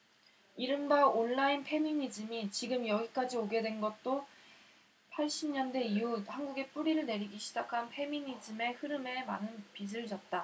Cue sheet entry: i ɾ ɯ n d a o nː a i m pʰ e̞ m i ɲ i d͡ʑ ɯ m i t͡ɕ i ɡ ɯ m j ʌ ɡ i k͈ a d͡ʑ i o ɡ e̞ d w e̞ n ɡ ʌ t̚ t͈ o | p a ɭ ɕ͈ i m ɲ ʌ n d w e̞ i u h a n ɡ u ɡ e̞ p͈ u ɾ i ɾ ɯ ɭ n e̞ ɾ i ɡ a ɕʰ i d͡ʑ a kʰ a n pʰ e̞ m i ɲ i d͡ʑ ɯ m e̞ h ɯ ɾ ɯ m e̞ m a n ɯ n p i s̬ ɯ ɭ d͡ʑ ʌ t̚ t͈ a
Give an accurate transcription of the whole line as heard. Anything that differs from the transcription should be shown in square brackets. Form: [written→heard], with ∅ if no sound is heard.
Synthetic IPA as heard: i ɾ ɯ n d a o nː a i [m→n] pʰ e̞ m i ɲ i d͡ʑ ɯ m i t͡ɕ i ɡ ɯ m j ʌ ɡ i k͈ a d͡ʑ i o ɡ e̞ d w e̞ n ɡ ʌ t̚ t͈ o | [p→pʰ] a ɭ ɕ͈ i m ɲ ʌ n d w e̞ i u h a n ɡ u ɡ e̞ p͈ u ɾ i ɾ ɯ ɭ n e̞ ɾ i ɡ [a→i] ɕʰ i d͡ʑ a kʰ a n pʰ e̞ m i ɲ i d͡ʑ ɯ m e̞ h ɯ ɾ ɯ m e̞ m a n ɯ n p i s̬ ɯ ɭ d͡ʑ ʌ t̚ t͈ a